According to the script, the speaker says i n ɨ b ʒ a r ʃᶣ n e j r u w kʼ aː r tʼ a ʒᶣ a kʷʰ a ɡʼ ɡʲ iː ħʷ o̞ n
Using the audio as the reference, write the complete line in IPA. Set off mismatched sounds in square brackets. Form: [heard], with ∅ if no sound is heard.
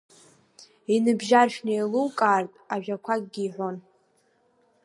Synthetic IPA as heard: i n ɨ b ʒ a r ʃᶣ n e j [l] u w kʼ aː r tʼ a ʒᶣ a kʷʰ a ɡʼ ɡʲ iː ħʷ o̞ n